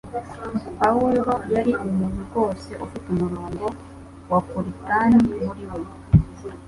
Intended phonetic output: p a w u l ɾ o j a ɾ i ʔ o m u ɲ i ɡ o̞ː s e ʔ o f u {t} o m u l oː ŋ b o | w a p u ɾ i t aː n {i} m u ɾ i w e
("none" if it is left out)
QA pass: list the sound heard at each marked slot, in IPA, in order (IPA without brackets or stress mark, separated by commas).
t, i